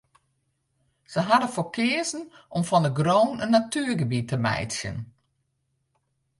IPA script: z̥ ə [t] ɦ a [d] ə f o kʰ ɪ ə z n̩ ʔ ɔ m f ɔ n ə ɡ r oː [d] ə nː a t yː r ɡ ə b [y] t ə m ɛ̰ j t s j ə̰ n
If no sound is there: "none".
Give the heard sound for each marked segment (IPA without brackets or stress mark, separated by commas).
none, d, n, i